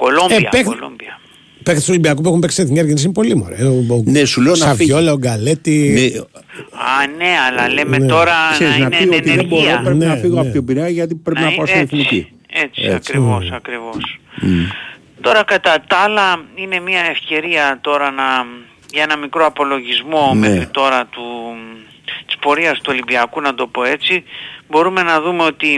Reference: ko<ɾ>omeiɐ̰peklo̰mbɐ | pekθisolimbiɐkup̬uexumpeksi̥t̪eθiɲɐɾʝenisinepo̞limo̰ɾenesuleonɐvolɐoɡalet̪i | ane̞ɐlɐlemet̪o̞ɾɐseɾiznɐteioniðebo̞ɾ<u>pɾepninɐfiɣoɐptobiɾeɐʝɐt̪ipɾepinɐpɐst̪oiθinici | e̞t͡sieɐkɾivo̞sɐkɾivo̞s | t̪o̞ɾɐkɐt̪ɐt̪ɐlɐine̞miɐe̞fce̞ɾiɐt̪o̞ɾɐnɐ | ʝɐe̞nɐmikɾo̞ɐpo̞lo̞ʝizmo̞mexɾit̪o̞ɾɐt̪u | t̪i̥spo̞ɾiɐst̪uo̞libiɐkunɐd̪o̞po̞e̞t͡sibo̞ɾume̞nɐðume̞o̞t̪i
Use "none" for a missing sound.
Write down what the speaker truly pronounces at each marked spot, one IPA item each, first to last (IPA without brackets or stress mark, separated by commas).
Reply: l, o